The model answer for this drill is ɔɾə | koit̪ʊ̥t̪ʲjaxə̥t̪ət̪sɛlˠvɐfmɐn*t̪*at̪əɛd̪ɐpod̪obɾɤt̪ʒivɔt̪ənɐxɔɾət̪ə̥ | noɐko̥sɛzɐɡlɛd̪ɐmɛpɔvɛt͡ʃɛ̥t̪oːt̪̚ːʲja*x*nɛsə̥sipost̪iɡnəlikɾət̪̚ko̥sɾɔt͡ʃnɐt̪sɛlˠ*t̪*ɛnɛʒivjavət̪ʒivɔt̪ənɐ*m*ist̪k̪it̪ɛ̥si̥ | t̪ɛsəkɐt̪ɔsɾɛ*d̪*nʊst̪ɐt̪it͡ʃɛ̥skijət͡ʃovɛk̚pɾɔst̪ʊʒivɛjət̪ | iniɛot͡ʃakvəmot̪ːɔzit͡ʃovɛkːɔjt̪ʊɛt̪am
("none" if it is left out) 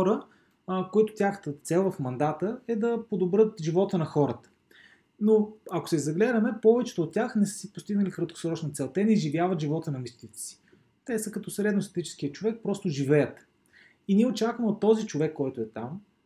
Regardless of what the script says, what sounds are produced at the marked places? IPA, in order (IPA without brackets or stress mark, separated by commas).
d̪, x, t̪, m, d̪